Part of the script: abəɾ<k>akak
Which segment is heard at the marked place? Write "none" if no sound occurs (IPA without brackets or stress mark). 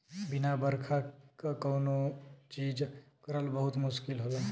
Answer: kʰ